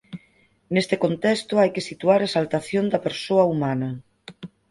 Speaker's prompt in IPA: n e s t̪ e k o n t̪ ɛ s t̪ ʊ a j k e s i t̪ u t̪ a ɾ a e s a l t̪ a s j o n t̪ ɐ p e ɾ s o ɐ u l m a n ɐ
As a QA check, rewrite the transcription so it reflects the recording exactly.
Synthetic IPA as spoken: n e s t̪ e k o n t̪ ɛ s t̪ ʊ a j k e s i t̪ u a ɾ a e s a l t̪ a θ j o n d̪ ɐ p e ɾ s o ɐ u m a n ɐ